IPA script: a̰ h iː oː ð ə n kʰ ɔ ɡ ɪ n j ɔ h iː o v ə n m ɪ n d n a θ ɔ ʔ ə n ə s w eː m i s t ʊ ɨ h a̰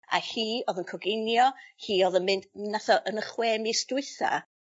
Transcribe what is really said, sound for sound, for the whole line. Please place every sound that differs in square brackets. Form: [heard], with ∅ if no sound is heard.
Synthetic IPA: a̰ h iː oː ð ə n kʰ ɔ ɡ ɪ n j ɔ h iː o [ð] ə n m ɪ n d n a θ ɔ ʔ ə n ə [χ] w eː m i s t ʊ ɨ [θ] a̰